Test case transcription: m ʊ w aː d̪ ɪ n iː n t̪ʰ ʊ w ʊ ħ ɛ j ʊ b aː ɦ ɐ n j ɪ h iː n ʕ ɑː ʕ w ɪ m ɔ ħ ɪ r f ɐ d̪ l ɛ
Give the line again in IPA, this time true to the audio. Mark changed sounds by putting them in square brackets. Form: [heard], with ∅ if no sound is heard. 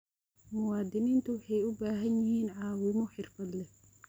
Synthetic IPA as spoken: m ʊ w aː d̪ ɪ n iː n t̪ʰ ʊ w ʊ ħ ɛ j ʊ b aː ɦ ɐ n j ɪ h iː n ʕ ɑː [∅] w ɪ m ɔ ħ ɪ r f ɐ d̪ l ɛ